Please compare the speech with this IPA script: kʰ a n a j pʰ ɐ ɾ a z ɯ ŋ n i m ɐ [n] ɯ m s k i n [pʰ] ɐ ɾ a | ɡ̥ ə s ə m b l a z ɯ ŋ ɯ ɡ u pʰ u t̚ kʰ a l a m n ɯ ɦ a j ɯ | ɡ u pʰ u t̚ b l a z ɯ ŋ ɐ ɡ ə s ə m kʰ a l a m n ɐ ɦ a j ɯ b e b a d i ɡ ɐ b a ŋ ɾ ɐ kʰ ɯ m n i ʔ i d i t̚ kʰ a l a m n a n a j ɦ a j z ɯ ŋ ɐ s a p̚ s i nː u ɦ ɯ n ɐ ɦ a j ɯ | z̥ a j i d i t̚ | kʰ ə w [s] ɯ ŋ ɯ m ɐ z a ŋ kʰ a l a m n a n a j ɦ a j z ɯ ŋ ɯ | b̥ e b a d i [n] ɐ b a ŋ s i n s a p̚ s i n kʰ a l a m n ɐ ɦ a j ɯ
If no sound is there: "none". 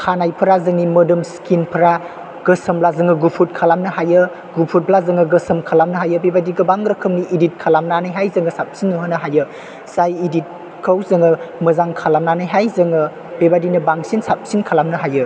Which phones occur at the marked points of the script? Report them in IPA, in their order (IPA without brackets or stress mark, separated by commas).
d, pʰ, z, n